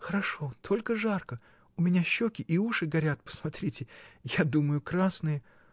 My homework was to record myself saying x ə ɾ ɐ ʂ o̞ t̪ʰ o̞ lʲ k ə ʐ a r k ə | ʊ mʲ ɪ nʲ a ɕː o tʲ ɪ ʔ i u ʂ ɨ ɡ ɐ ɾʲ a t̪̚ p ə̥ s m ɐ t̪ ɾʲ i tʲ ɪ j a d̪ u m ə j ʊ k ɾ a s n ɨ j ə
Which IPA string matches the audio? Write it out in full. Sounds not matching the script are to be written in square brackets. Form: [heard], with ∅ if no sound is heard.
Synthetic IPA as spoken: x ə ɾ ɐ ʂ o̞ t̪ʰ o̞ lʲ k ə ʐ a r k ə | ʊ mʲ ɪ nʲ a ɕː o [kʲ] ɪ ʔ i u ʂ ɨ ɡ ɐ ɾʲ a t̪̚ p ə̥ s m ɐ t̪ ɾʲ i tʲ ɪ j a d̪ u m ə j ʊ k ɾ a s n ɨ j ə